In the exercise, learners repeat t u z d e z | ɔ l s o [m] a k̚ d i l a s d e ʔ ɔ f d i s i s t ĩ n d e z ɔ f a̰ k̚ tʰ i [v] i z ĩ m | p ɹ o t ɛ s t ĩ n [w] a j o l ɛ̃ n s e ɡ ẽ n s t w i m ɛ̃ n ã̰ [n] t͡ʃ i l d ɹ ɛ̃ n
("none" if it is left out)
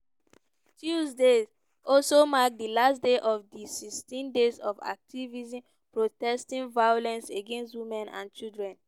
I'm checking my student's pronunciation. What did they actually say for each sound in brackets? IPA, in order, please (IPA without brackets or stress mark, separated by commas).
m, v, v, n